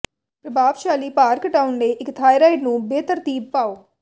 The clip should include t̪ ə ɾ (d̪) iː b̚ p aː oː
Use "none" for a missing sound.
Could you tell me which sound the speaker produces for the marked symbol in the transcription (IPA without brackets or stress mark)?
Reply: t̪